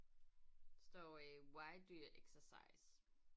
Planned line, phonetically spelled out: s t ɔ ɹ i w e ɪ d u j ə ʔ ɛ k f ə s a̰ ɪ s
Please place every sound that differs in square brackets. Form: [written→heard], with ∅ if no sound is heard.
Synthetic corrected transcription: s t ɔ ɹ i w [e→a] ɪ d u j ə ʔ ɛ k [f→s] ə s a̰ ɪ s